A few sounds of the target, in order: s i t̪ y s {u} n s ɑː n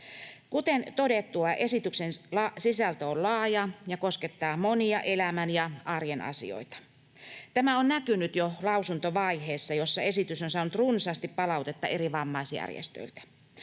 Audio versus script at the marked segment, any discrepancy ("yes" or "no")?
yes